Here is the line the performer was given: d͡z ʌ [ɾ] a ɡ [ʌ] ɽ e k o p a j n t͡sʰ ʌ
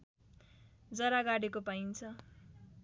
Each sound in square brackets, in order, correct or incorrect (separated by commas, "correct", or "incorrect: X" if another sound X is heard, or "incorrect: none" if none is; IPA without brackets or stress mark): correct, incorrect: a